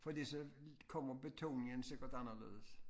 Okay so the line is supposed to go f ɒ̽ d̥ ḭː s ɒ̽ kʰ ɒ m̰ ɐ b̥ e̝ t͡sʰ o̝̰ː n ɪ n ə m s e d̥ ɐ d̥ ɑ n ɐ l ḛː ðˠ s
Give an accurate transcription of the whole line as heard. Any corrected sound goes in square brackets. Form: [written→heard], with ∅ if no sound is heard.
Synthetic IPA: f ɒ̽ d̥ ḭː s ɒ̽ kʰ ɒ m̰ ɐ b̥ e̝ t͡sʰ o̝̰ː n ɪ [n→ŋ] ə [m→n] s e [d̥→ɡ̥] ɐ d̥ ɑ n ɐ l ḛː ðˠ s